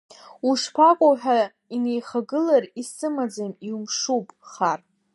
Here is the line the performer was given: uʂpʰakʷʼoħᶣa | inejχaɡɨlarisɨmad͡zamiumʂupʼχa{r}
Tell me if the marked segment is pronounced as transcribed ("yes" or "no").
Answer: yes